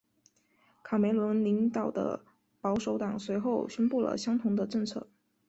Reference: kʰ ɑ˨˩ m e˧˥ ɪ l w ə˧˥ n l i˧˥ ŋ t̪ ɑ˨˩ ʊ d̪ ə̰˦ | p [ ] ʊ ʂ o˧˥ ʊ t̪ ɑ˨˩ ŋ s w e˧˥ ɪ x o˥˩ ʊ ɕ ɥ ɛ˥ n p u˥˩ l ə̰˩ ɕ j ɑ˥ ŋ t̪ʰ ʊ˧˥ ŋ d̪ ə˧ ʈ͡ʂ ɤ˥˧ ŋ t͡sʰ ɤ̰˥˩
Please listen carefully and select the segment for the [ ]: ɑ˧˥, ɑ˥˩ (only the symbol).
ɑ˧˥